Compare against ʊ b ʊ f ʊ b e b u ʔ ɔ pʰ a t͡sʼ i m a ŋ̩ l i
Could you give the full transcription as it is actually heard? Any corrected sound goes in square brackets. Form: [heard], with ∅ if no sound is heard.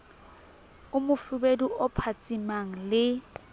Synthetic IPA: ʊ [m] ʊ f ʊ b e [d] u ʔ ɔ pʰ a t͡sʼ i m a ŋ̩ l [ɪ]

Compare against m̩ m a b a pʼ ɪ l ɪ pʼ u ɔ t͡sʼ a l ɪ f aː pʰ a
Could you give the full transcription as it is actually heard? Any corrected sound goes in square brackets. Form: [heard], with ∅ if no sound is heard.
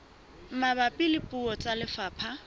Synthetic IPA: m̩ m a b a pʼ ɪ l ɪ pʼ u ɔ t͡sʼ a l ɪ f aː pʰ a

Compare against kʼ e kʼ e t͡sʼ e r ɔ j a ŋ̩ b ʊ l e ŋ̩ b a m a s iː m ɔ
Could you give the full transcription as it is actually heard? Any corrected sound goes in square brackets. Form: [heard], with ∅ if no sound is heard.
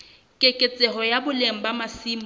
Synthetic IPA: kʼ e kʼ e t͡sʼ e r ɔ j a [∅] b ʊ l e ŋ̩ b a m a s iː m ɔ

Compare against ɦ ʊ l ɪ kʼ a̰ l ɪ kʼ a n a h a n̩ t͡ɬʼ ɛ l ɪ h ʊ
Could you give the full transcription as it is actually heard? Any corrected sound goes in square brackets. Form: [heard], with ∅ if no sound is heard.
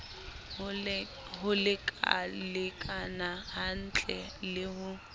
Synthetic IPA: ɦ ʊ l ɪ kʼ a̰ l ɪ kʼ a n a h a n̩ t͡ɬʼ ɛ l ɪ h ʊ

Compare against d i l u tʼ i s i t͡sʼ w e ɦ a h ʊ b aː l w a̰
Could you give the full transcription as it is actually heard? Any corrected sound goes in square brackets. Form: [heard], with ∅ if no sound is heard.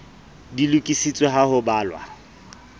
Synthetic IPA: d i l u [kʼ] i s i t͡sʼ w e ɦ a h ʊ b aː l w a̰

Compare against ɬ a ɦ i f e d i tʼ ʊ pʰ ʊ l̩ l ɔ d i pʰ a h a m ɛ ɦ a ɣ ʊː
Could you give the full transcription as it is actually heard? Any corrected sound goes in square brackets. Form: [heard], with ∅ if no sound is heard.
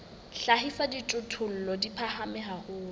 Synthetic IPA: ɬ a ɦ i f [a] d i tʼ ʊ [tʰ] ʊ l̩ l ɔ d i pʰ a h a m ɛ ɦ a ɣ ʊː

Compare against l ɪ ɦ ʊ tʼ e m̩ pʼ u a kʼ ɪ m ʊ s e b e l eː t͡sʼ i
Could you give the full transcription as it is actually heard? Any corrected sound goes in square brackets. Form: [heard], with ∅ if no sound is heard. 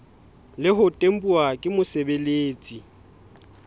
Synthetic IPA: l ɪ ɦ ʊ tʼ e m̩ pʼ u a kʼ ɪ m ʊ s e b e l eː t͡sʼ i

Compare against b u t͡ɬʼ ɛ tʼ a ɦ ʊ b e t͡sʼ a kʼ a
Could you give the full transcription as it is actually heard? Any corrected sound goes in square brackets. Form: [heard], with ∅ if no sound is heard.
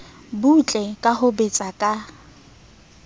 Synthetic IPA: b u t͡ɬʼ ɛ [kʼ] a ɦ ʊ b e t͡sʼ a kʼ a

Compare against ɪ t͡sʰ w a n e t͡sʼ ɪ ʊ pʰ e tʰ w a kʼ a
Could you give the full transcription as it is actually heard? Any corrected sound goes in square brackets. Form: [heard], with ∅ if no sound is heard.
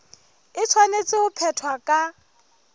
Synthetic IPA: ɪ t͡sʰ w a n e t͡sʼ ɪ ʊ pʰ [ɛ] tʰ w a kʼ a

